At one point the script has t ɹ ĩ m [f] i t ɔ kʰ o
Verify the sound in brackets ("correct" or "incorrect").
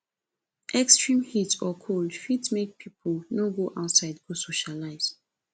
incorrect